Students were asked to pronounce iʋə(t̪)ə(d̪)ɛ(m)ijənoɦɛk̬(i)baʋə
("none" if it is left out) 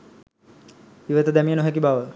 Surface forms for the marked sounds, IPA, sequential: t̪, d̪, m, i

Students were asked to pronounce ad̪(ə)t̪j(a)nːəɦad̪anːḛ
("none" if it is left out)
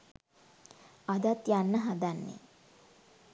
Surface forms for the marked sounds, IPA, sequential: a, a

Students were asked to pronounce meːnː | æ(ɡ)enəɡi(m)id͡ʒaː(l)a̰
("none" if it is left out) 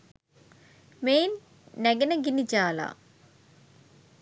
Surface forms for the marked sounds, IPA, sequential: ɡ, n, l

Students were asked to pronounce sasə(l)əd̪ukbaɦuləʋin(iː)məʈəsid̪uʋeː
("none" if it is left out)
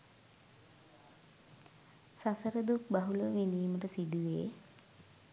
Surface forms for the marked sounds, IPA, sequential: ɾ, iː

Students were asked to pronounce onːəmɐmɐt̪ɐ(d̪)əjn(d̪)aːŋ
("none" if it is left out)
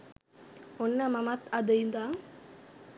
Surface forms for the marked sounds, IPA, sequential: d̪, d̪

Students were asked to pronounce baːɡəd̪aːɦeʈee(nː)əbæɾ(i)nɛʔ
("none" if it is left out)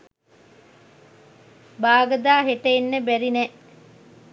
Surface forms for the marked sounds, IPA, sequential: nː, i

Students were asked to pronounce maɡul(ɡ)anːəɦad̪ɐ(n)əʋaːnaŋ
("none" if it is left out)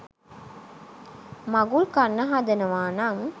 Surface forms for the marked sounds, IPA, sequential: k, n

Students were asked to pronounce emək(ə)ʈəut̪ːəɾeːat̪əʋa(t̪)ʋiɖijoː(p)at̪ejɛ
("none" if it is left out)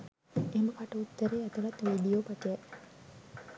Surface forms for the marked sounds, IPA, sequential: a, t̪, p

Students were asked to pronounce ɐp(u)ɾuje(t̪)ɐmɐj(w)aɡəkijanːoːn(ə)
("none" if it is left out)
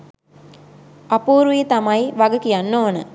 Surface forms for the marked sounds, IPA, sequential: uː, t̪, ʋ, ə

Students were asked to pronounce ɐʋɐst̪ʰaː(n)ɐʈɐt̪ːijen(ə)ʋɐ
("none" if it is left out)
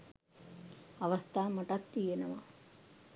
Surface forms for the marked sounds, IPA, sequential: m, ɐ

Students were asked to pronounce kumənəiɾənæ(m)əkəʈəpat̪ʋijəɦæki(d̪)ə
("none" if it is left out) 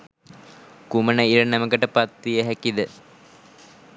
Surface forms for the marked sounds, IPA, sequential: m, d̪

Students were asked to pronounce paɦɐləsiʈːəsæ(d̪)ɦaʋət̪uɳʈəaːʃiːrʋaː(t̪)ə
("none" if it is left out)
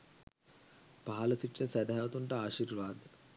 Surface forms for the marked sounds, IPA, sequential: d̪, d̪

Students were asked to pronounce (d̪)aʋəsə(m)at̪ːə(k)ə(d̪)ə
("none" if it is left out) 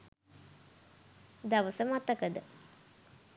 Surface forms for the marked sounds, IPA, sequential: d̪, m, k, d̪

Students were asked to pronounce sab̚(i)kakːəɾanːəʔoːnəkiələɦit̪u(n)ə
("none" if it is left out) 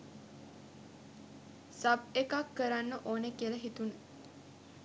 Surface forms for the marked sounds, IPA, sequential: e, n

